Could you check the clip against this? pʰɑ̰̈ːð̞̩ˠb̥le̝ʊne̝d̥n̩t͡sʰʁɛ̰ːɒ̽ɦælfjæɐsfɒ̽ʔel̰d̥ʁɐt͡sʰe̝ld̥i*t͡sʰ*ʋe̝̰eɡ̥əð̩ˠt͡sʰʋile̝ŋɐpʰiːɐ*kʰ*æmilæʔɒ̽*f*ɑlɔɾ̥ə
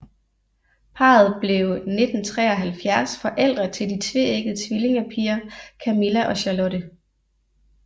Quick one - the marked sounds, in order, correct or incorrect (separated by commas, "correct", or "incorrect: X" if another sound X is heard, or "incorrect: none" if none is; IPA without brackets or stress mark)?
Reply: correct, correct, incorrect: ɕ